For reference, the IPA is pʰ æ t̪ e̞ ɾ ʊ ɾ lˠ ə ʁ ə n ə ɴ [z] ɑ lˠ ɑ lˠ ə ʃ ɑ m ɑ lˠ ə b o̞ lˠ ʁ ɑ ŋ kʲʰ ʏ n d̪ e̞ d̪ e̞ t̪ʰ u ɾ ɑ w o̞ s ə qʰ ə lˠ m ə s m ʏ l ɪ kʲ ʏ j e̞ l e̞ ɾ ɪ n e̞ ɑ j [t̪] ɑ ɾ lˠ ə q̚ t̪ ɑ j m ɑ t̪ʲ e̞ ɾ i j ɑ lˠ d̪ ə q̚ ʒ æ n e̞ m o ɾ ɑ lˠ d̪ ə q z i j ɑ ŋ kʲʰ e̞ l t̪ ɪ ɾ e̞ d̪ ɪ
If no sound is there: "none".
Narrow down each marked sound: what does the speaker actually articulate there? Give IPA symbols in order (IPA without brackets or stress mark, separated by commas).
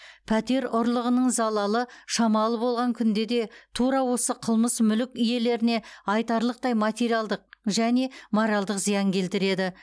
z, t̪